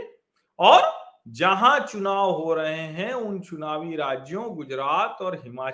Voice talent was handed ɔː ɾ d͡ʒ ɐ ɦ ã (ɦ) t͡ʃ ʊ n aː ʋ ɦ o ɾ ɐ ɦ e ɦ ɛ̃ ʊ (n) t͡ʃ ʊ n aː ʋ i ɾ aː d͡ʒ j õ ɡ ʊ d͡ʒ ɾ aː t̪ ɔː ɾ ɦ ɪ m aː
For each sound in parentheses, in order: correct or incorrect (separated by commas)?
incorrect, correct